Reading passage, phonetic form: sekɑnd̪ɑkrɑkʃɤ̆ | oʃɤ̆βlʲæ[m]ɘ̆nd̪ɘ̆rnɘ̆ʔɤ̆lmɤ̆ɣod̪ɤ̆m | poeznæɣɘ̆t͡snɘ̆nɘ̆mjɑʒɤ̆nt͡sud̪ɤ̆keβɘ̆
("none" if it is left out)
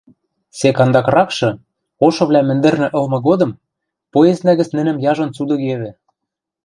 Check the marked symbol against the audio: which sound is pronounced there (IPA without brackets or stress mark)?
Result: m